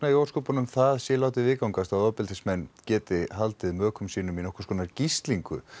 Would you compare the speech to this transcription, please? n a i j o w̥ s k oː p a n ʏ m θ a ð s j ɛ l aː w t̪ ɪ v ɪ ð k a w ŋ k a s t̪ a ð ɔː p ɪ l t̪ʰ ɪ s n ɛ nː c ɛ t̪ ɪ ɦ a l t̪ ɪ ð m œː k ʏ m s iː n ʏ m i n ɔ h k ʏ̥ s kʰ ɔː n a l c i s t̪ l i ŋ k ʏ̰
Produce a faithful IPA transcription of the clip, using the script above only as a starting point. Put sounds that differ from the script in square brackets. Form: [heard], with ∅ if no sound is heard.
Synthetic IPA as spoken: n a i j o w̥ s k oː p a n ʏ m θ a ð s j ɛ l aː w t̪ ɪ v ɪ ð k a w ŋ k a s t̪ a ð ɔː p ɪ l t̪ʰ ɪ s [m] ɛ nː c [ɛː] t̪ ɪ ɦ a l t̪ ɪ ð m œː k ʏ m s iː n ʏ m i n ɔ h k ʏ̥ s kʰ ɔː n a [ɾ] c i s t̪ l i ŋ k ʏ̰